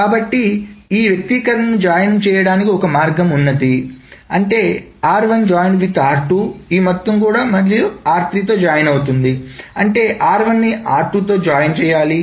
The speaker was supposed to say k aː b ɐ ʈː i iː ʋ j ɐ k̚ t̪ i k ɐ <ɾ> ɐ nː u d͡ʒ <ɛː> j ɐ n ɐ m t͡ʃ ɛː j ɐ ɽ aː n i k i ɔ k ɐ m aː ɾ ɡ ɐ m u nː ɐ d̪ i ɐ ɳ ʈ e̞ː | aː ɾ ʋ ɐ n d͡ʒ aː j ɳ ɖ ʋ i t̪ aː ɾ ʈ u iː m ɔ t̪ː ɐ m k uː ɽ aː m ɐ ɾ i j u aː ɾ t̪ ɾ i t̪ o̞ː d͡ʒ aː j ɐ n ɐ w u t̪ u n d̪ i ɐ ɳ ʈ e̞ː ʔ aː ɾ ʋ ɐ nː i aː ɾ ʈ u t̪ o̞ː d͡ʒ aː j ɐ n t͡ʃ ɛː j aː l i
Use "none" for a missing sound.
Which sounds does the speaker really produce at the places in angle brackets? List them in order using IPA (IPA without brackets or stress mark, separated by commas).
ɾ, aː